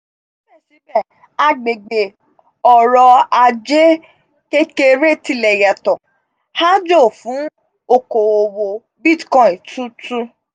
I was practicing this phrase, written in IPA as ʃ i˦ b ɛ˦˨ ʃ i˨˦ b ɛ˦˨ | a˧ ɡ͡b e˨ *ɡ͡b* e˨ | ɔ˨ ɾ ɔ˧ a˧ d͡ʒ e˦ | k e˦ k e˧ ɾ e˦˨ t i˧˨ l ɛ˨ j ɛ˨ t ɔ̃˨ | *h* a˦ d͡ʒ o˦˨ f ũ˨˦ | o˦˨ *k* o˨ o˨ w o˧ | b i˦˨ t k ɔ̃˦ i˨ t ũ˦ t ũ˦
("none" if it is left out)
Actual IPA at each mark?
ɡ͡b, h, k

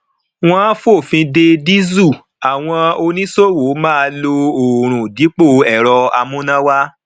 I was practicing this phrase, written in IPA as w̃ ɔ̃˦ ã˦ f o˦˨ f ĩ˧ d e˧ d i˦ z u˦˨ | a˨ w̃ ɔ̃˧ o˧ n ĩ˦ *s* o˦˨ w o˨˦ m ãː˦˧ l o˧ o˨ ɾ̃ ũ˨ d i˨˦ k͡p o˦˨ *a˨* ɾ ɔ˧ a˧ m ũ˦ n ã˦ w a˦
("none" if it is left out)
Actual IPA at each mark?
s, ɛ˨

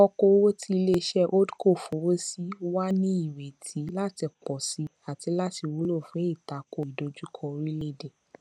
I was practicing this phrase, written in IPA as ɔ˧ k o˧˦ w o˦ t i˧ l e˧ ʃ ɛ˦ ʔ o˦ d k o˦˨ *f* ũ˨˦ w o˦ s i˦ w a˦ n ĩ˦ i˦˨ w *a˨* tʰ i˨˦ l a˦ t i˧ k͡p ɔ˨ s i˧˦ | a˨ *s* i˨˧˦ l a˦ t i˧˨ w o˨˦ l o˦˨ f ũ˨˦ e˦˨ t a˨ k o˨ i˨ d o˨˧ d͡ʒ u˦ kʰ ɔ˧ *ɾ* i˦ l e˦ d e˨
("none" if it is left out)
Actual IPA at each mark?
f, e˨, t, ɾ

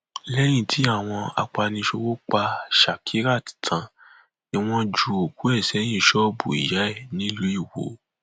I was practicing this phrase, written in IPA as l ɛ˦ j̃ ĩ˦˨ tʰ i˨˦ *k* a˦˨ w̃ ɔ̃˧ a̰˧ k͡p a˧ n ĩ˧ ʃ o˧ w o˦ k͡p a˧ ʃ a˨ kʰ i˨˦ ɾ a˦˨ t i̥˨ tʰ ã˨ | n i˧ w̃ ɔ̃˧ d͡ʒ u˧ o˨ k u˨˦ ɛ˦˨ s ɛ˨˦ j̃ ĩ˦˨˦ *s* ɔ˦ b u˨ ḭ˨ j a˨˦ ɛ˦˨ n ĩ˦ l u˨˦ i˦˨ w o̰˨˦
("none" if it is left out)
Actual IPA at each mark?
none, ʃ

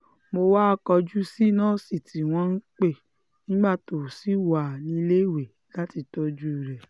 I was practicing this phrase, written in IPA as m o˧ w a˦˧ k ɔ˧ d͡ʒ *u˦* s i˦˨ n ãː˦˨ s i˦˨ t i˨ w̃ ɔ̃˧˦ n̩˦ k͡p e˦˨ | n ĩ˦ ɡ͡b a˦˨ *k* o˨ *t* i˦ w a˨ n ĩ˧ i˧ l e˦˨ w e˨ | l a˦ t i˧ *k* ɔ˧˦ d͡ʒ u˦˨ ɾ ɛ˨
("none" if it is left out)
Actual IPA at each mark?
u˦, t, s, t

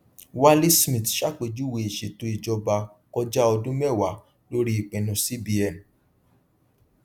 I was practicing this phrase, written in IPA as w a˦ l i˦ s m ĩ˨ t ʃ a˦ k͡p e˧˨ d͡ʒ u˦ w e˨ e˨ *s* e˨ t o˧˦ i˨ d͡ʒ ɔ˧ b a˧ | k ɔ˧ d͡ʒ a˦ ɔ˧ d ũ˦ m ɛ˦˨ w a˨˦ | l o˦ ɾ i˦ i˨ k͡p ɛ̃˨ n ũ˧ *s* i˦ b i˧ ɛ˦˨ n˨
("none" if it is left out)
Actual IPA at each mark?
ʃ, s

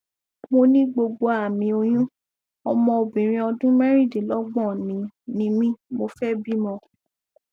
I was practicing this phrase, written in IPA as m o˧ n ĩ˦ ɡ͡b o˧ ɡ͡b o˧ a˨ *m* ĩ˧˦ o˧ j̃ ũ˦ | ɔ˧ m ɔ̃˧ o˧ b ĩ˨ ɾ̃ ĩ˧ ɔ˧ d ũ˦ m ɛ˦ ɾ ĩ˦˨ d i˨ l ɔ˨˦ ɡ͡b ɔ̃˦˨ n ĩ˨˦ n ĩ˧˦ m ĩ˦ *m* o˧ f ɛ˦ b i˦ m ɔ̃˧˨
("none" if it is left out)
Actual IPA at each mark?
m, m

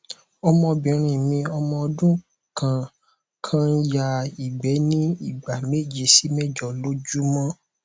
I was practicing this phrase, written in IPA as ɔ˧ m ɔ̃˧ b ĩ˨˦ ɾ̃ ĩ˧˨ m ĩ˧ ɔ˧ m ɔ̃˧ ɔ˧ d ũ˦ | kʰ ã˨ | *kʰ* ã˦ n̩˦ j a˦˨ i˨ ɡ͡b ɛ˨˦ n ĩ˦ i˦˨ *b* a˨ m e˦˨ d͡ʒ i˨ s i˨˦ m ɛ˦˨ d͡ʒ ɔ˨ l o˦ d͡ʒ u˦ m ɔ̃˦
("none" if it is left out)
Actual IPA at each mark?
kʰ, ɡ͡b

